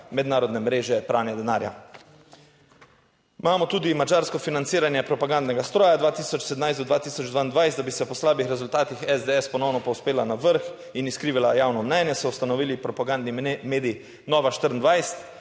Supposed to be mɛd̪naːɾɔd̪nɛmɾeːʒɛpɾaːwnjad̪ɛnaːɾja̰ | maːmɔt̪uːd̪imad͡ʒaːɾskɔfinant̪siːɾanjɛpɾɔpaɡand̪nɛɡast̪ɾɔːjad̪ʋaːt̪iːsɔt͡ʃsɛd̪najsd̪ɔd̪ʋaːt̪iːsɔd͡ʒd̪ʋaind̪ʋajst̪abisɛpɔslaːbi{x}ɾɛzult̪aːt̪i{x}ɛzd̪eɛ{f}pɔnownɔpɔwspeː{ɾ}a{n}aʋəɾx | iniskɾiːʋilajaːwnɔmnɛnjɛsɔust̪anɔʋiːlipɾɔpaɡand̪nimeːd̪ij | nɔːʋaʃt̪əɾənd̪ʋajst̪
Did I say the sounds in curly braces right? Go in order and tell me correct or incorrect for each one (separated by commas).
correct, correct, incorrect, incorrect, correct